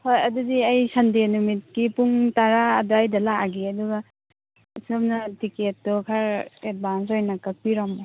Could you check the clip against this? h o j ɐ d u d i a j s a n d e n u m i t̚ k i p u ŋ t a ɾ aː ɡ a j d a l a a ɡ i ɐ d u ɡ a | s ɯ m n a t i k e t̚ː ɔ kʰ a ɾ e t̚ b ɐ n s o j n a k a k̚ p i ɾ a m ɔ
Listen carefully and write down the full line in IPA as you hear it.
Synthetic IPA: h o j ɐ d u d i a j s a n d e n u m i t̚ k i p u ŋ t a ɾ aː d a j d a l a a ɡ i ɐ d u ɡ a | s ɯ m n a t i k e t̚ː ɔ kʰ a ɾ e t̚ b a n s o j n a k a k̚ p i ɾ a m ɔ